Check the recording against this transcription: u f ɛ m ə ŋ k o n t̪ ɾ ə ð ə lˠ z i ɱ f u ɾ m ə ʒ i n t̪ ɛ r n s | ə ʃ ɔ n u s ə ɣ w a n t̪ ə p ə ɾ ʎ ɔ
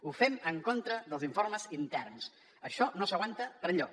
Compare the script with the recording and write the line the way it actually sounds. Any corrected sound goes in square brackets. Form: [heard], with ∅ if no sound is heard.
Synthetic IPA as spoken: u f ɛ m ə ŋ k o n t̪ ɾ ə ð ə lˠ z i ɱ f [o] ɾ m ə [z] i n t̪ ɛ r n s | ə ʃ ɔ n [o] s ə ɣ w a n t̪ ə p ə ɾ ʎ ɔ

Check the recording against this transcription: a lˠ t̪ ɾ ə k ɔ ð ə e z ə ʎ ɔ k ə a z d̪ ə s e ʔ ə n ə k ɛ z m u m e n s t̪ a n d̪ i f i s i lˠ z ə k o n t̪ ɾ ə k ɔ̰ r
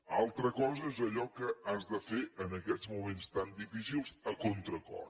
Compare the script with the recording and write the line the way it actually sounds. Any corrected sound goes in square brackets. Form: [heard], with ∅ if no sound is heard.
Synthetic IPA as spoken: a lˠ t̪ ɾ ə k ɔ [z] ə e z ə ʎ ɔ k ə a z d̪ ə [f] e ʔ ə n ə k ɛ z m u m e n s t̪ a n d̪ i f i s i lˠ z ə k o n t̪ ɾ ə k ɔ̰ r

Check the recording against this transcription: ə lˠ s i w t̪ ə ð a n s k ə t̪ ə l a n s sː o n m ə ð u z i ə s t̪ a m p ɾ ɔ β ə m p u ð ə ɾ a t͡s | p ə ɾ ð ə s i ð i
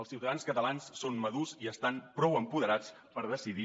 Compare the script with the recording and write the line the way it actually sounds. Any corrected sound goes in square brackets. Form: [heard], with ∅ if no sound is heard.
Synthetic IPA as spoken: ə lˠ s i w t̪ ə ð a n s k ə t̪ ə l a n s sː o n m ə ð u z i ə s t̪ a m p ɾ ɔ [w] ə m p u ð ə ɾ a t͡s | p ə ɾ ð ə s i ð i

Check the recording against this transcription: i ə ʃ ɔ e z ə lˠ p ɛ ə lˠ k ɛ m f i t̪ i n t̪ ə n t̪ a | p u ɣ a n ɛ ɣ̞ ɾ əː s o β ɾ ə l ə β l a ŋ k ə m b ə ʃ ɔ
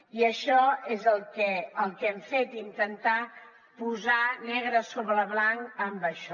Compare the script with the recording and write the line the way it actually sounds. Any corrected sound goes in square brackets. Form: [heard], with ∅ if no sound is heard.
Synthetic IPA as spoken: i ə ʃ ɔ e z ə lˠ [k] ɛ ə lˠ k ɛ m f [e] t̪ i n t̪ ə n t̪ a | p u [z] a n ɛ ɣ̞ ɾ [ə] s o β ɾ ə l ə β l a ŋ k ə m b ə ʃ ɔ

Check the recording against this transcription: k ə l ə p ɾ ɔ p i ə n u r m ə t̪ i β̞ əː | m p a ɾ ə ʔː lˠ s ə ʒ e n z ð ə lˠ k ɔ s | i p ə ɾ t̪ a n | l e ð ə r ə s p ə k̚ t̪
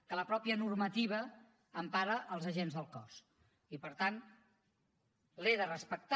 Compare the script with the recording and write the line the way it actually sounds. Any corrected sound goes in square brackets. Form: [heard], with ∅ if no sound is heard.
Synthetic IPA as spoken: k ə l ə p ɾ ɔ p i ə n u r m ə t̪ i β̞ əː | m p a ɾ ə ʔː lˠ [z] ə ʒ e n z ð ə lˠ k ɔ s | i p ə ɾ t̪ a n | l e ð ə r ə s p ə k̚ t̪

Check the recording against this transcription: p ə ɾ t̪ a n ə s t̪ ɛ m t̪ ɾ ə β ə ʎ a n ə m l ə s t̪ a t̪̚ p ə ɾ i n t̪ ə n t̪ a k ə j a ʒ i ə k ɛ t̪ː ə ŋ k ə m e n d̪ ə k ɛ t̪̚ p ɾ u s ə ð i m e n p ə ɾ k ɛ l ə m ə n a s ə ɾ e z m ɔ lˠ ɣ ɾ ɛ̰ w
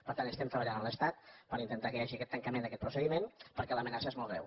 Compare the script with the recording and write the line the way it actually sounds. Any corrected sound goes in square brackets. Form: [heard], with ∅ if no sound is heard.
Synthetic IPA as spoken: p ə ɾ t̪ a n ə s t̪ ɛ m t̪ ɾ ə β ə ʎ a n ə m l ə s t̪ a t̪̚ p ə ɾ i n t̪ ə n t̪ a k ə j a ʒ i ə k ɛ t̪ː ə ŋ k ə m e n d̪ ə k ɛ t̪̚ p ɾ u s ə ð i m e n p ə ɾ k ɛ l ə m ə n a s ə [∅] e z m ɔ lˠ ɣ ɾ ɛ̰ w

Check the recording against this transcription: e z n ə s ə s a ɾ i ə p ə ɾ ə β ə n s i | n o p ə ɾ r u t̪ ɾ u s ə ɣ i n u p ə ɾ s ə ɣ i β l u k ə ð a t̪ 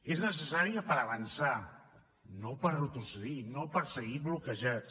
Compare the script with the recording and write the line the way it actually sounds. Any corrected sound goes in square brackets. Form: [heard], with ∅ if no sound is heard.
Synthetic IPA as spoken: e z n ə s ə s a ɾ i ə p ə ɾ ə β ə n s [a] | n o p ə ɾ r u t̪ ɾ u s ə [ð] i n [o] p ə ɾ s ə ɣ i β l u k ə [ʒ] a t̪

